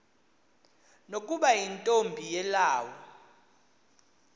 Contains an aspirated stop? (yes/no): no